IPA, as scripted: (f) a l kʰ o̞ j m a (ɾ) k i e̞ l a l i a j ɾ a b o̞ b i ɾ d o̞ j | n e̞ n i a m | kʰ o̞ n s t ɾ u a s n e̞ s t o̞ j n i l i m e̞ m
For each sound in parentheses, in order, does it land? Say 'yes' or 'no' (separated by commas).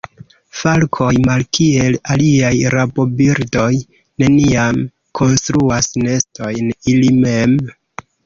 yes, no